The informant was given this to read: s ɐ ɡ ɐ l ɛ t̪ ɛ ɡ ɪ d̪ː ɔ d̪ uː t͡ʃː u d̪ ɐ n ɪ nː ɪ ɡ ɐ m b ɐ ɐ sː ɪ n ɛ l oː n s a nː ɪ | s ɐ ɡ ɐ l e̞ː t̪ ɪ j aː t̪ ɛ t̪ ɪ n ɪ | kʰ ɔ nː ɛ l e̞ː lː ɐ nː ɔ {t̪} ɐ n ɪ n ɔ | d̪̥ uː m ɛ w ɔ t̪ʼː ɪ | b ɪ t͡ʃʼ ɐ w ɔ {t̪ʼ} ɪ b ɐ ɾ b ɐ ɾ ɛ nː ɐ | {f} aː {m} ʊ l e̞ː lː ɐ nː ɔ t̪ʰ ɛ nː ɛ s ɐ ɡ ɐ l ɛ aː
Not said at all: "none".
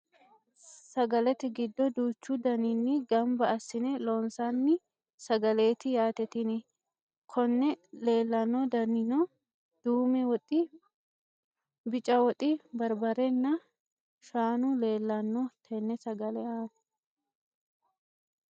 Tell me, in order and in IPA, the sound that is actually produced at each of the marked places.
d̪, t̪ʼ, ʃ, n

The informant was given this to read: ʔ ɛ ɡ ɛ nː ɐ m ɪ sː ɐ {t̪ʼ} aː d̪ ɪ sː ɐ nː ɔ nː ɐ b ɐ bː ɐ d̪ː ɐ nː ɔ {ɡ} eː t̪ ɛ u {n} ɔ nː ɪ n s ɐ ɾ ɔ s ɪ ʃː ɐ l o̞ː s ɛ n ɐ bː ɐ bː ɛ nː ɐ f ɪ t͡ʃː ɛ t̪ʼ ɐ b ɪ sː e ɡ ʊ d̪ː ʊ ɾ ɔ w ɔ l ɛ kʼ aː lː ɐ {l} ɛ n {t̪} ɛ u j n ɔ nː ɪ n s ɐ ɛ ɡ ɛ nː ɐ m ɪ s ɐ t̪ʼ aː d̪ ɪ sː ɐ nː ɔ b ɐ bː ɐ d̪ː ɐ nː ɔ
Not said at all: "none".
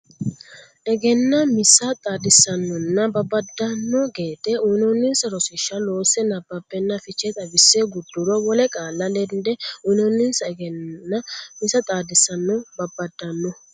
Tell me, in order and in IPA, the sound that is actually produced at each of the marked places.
t̪ʼ, ɡ, n, l, d̪

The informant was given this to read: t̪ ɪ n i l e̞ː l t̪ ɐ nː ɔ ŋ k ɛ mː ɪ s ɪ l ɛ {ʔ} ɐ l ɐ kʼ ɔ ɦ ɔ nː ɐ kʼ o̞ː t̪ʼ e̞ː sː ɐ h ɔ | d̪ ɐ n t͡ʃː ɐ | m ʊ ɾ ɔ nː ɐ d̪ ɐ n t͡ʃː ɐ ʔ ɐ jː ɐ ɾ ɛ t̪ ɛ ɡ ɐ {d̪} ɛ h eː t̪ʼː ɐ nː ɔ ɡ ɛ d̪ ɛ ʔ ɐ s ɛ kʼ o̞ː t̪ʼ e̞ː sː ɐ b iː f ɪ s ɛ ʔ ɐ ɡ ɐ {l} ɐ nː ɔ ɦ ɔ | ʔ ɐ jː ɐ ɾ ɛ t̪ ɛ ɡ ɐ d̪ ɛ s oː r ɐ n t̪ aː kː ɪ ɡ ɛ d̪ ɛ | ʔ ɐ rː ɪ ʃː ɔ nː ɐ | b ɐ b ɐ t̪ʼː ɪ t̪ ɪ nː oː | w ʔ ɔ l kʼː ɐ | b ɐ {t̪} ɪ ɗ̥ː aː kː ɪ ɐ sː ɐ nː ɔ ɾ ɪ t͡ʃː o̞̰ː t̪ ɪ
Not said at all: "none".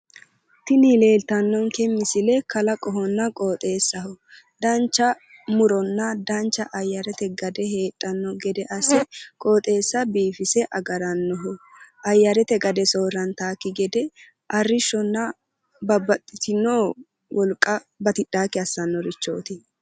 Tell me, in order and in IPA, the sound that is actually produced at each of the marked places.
k, d̪, ɾ, t̪

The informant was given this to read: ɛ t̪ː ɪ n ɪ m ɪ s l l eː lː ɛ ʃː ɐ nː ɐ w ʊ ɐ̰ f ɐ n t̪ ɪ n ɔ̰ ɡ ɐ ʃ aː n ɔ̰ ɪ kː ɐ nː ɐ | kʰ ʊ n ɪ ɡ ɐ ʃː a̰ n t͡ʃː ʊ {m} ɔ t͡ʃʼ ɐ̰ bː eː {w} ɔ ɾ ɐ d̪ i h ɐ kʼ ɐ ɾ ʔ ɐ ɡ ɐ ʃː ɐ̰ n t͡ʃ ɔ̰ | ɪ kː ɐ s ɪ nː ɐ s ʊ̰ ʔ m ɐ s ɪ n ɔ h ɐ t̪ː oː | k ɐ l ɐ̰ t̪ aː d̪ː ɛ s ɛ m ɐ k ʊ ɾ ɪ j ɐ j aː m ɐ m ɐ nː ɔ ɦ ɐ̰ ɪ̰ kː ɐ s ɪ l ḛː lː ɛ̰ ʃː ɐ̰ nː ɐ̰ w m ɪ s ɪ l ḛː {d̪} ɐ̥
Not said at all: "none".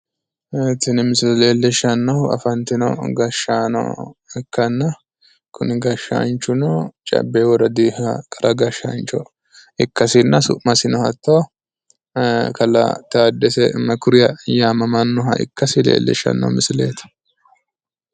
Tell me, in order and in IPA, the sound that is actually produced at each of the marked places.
n, w, t̪

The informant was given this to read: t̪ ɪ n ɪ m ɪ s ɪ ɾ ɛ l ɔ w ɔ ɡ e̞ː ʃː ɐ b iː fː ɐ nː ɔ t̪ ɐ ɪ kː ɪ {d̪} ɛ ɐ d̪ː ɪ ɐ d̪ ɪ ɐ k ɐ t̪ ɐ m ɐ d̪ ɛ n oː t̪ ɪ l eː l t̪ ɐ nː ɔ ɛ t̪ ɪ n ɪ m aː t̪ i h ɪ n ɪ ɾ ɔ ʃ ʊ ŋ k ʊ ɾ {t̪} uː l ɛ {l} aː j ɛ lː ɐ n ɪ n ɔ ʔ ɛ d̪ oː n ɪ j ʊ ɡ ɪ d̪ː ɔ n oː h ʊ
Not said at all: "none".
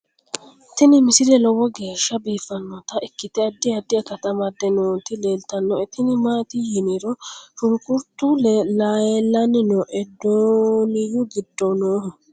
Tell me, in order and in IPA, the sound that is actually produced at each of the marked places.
t̪, t̪, l

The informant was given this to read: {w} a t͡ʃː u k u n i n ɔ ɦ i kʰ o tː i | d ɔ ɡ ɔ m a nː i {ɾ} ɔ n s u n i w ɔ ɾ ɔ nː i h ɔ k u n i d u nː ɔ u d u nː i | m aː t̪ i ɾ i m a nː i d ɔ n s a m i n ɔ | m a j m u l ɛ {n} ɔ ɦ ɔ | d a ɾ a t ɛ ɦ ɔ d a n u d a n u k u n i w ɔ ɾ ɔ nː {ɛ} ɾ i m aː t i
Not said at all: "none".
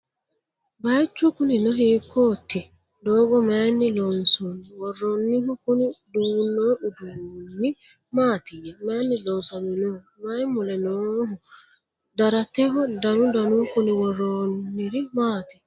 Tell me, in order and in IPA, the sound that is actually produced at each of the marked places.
b, l, n, i

